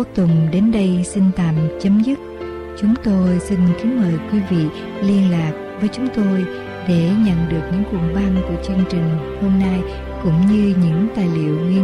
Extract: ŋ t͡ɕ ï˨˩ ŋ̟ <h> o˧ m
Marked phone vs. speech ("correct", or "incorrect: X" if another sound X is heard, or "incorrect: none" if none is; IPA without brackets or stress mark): correct